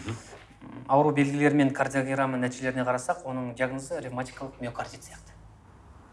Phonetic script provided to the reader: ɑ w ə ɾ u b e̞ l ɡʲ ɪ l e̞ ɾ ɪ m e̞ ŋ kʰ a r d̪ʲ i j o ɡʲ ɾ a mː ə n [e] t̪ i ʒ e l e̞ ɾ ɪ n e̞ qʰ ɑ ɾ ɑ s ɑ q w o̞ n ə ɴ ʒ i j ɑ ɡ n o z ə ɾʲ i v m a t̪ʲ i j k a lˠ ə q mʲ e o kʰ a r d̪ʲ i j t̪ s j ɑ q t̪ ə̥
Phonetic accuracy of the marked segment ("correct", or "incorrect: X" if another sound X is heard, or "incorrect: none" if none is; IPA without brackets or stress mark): incorrect: æ